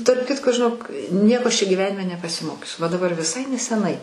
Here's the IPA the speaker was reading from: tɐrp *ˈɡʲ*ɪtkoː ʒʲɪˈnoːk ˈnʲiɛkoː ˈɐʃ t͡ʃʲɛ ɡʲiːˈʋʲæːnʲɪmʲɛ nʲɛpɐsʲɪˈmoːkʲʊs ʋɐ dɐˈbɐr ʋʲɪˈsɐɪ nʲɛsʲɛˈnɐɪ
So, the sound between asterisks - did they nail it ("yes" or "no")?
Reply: no